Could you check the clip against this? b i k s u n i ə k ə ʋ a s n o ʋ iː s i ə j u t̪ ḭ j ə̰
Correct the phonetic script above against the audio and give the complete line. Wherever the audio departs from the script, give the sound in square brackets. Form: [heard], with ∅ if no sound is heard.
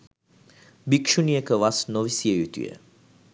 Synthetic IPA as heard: b i k [ʃ] u n i ə k ə ʋ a s n o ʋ [i] s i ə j u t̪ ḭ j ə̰